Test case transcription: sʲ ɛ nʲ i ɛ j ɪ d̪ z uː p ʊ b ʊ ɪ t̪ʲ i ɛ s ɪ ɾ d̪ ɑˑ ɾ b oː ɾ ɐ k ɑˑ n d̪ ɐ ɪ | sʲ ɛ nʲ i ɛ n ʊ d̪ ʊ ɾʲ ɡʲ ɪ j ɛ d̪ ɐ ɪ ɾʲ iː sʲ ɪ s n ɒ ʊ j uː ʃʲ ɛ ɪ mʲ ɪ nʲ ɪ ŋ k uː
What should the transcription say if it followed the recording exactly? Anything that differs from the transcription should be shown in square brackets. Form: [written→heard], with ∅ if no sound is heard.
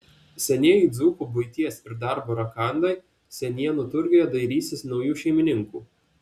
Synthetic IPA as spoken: sʲ ɛ nʲ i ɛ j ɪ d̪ z uː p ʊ b ʊ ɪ t̪ʲ i ɛ s ɪ ɾ d̪ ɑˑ ɾ b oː ɾ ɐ k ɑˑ n d̪ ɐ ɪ | sʲ ɛ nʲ i ɛ n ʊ [d̪→t̪] ʊ ɾʲ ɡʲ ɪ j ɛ d̪ ɐ ɪ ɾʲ iː sʲ ɪ s n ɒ ʊ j uː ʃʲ ɛ ɪ mʲ ɪ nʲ ɪ ŋ k uː